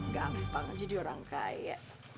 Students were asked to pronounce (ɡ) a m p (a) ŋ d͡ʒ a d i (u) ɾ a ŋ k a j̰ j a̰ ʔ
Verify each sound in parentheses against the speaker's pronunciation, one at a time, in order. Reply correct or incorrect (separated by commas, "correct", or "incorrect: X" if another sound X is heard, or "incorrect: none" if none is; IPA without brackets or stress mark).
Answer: correct, correct, incorrect: o